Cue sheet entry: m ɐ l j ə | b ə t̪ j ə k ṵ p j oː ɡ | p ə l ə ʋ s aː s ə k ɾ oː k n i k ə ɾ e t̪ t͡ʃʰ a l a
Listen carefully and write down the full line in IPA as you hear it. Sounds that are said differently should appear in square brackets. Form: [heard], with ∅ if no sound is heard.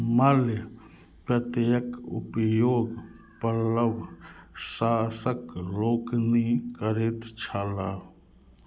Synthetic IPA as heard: m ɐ l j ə | [p] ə t̪ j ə k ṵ p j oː ɡ | p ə l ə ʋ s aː s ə k [l] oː k n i k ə ɾ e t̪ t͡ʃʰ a l a